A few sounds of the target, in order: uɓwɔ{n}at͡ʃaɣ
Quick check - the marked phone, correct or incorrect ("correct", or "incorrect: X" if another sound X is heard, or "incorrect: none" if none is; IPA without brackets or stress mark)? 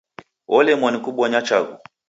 incorrect: ɲ